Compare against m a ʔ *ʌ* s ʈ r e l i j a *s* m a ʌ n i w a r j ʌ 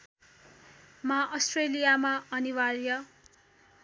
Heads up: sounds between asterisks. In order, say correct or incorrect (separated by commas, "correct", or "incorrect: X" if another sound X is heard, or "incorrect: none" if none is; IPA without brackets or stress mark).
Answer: correct, incorrect: none